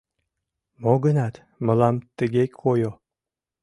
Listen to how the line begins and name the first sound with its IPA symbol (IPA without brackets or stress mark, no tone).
m